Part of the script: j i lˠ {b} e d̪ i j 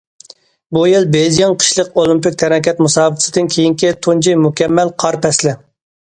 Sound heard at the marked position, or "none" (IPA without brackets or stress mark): b